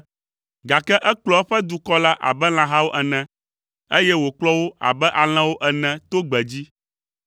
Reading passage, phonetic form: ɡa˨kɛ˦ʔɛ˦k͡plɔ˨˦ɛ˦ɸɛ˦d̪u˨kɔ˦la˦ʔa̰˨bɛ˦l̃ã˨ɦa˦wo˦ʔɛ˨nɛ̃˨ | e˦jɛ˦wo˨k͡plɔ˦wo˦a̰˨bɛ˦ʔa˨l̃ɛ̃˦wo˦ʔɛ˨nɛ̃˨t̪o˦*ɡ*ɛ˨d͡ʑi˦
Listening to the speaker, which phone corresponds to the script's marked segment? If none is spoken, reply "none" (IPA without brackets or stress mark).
ɡ͡b